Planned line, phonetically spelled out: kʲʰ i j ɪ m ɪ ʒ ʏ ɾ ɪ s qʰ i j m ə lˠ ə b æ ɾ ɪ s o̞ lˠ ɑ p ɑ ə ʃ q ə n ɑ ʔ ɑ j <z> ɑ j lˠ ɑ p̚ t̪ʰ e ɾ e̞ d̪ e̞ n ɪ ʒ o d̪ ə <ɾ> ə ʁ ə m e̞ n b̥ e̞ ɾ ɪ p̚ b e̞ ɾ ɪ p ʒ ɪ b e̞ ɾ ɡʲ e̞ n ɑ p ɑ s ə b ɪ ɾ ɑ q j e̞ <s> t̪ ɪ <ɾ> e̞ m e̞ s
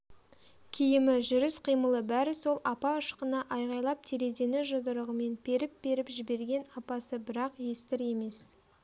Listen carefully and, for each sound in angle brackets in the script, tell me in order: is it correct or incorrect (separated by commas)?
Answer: incorrect, correct, correct, correct